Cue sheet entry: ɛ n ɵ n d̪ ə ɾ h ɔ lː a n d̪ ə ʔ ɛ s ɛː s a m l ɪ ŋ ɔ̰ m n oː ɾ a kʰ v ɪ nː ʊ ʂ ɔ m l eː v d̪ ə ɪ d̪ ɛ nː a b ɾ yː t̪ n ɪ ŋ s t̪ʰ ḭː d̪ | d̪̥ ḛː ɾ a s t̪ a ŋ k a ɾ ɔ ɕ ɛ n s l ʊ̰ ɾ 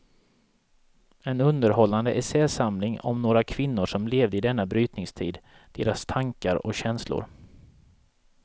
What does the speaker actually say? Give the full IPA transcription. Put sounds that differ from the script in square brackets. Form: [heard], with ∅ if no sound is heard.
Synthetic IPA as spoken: ɛ n ɵ n d̪ ə ɾ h ɔ lː a n d̪ ə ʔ ɛ s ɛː s a m l ɪ ŋ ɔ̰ m n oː ɾ a kʰ v ɪ nː ʊ ʂ ɔ m l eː v d̪ ə ɪ d̪ ɛ nː a b ɾ yː t̪ n ɪ ŋ s t̪ʰ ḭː d̪ | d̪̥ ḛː ɾ a s [t̪ʰ] a ŋ k a ɾ ɔ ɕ ɛ n s l ʊ̰ ɾ